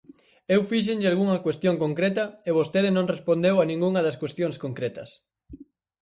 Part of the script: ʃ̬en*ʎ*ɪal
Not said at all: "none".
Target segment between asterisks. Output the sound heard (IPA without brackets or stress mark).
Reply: ʎ